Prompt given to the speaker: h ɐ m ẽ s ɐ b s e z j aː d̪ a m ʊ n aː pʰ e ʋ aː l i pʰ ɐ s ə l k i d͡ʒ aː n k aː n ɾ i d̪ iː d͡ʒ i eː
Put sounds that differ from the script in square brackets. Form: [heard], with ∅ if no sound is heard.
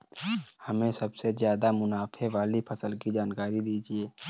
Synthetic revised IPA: h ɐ m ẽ s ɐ b s e z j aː d̪ a m ʊ n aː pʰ e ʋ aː l i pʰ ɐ s ə l k i d͡ʒ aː n k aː [∅] ɾ i d̪ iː d͡ʒ i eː